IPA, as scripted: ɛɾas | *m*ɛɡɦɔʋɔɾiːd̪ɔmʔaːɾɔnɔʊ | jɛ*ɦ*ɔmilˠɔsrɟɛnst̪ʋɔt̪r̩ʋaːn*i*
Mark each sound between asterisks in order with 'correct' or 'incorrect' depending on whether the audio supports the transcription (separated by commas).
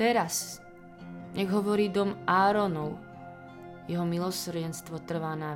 incorrect, correct, incorrect